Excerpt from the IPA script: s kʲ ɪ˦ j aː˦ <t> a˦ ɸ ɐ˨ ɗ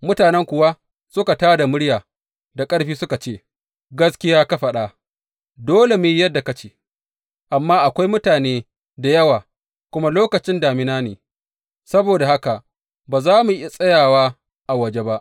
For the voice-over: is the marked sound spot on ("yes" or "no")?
no